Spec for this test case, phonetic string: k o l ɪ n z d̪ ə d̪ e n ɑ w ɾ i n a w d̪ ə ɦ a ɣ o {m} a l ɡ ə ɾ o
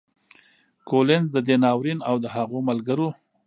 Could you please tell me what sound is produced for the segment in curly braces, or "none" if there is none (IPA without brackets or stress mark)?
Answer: m